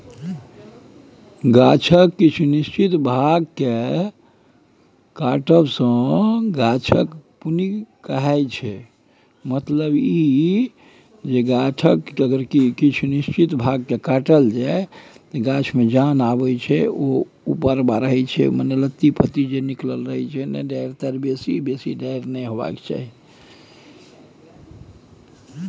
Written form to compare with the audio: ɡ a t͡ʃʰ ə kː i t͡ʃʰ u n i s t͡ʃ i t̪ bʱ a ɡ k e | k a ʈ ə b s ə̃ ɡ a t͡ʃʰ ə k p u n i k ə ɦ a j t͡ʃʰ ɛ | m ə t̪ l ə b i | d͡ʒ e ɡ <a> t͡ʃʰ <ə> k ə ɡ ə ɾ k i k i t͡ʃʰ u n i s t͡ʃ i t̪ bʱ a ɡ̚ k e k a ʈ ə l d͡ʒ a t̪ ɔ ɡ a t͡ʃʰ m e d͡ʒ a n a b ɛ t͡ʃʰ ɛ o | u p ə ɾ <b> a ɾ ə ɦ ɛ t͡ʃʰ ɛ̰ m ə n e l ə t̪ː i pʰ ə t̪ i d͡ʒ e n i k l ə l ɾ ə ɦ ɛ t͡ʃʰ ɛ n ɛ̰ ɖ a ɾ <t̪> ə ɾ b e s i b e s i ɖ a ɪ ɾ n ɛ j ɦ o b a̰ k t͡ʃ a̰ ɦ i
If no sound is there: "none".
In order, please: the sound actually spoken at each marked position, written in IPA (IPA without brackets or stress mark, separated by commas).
a, ə, b, t̪